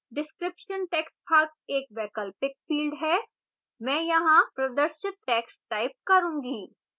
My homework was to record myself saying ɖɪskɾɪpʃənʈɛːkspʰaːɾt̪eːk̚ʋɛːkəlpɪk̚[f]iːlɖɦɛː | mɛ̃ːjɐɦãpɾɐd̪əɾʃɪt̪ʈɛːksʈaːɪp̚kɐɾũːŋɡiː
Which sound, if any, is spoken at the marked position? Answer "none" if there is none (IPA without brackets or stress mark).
f